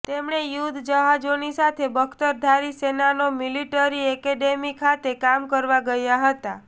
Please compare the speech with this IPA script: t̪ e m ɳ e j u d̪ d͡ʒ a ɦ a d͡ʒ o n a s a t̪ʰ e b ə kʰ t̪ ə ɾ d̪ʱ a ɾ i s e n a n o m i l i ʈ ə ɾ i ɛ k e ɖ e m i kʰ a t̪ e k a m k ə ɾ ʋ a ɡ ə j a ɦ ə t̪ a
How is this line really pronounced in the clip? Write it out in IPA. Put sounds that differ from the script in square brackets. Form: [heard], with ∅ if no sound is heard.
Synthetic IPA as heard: t̪ e m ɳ e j u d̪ d͡ʒ [ə] ɦ a d͡ʒ o n [i] s a t̪ʰ e b ə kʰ t̪ ə ɾ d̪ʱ a ɾ i s e n a n o m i l i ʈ ə ɾ i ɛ k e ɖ e m i kʰ a t̪ e k a m k ə ɾ ʋ a ɡ ə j a ɦ ə t̪ a